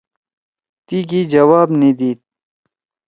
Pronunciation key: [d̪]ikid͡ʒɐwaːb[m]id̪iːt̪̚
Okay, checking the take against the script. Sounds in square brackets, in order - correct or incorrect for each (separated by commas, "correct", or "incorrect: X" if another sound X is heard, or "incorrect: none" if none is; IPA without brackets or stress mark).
incorrect: t̪, incorrect: n